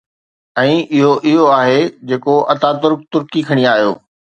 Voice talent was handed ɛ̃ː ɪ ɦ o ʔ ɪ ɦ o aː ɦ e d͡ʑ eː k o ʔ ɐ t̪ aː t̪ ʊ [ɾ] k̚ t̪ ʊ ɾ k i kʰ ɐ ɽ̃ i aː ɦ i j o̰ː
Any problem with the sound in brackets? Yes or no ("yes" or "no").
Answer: no